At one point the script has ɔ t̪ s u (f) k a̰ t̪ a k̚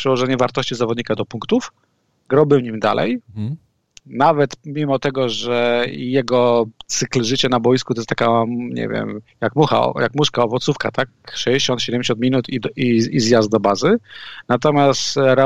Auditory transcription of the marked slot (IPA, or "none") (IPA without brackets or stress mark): f